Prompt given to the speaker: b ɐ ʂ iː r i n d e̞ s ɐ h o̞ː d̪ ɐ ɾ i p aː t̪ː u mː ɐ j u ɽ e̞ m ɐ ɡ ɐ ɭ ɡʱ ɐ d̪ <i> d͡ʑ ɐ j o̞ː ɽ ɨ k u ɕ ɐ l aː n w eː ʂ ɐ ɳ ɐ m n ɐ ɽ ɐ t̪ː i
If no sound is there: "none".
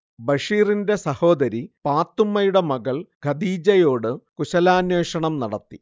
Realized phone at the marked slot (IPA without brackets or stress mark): iː